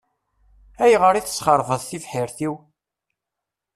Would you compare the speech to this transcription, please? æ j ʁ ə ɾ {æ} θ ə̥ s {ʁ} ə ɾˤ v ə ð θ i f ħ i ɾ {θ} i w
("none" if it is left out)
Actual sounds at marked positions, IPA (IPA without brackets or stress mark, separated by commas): i, χ, θ